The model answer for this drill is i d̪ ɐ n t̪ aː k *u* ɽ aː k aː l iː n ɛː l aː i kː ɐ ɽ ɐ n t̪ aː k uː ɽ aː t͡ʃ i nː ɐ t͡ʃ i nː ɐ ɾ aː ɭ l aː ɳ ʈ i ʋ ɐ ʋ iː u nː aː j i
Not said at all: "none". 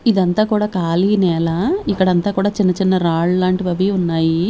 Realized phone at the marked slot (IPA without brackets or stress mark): uː